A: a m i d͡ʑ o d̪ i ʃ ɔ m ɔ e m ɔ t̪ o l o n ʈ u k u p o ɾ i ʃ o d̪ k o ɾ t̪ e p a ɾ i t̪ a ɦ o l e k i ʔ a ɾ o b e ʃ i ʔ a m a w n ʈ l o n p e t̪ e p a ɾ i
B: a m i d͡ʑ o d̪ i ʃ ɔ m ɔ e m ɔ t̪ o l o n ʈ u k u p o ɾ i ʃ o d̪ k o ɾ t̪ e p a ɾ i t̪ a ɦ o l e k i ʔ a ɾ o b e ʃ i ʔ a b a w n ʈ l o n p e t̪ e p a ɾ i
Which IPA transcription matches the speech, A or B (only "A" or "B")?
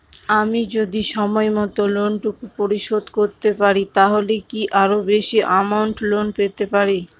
A